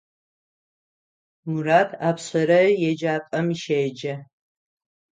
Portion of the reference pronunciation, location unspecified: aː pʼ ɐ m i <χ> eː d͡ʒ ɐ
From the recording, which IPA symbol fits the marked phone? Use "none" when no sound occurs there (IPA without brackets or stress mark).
ʃ